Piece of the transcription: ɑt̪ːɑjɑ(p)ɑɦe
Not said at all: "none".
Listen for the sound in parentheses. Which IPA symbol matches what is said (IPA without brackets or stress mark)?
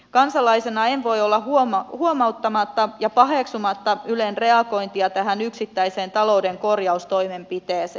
p